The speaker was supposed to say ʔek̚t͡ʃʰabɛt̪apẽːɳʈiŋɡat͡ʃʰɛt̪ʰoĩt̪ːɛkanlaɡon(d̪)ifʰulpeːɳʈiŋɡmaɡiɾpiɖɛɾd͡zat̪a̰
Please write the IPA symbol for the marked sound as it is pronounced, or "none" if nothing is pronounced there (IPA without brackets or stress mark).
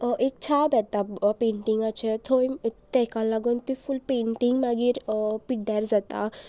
t̪